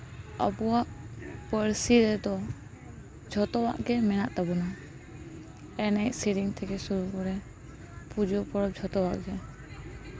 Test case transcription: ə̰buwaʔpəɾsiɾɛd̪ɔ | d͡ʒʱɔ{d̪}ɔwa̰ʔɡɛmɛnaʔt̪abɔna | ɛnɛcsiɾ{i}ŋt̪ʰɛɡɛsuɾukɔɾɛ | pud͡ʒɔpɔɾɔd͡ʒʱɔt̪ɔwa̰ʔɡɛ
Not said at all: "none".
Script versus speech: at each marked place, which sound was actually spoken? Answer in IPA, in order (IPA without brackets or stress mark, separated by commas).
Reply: t̪, i